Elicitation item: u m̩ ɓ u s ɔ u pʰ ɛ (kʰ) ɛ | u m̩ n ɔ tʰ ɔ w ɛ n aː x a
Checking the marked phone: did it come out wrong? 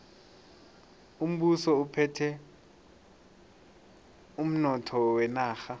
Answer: yes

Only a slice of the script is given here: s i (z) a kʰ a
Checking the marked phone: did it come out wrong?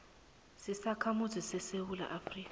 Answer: yes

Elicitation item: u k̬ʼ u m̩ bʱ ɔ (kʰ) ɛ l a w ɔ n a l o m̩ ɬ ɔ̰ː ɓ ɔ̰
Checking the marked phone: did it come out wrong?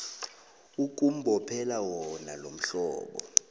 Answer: yes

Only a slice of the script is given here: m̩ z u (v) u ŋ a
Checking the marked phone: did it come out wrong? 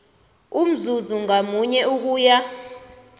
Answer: yes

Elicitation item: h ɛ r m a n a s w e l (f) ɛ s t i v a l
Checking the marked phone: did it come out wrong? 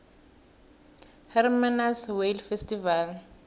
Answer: no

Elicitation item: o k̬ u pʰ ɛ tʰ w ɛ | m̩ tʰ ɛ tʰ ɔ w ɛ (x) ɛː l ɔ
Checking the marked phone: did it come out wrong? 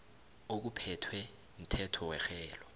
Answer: no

